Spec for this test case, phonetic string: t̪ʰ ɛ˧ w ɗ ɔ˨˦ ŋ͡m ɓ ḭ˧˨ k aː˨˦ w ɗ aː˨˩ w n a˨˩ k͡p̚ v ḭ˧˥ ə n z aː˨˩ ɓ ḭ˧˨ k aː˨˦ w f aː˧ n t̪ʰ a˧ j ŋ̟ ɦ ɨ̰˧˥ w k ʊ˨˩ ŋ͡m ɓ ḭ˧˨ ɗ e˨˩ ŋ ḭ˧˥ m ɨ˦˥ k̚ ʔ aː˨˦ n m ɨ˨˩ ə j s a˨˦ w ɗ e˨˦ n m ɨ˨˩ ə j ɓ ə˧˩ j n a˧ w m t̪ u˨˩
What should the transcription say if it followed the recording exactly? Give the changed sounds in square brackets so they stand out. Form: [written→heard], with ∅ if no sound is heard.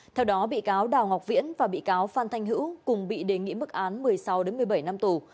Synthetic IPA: t̪ʰ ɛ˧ w ɗ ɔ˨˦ [ŋ͡m→∅] ɓ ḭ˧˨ k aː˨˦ w ɗ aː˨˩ w [n→ŋ] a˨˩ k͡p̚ v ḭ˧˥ ə n [z→v] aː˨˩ ɓ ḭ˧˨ k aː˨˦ w f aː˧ n t̪ʰ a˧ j ŋ̟ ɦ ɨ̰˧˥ w k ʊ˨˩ ŋ͡m ɓ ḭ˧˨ ɗ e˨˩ ŋ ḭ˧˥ m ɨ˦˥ k̚ ʔ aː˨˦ n m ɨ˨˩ ə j s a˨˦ w ɗ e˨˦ n m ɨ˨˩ ə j ɓ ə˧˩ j n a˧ [w→∅] m t̪ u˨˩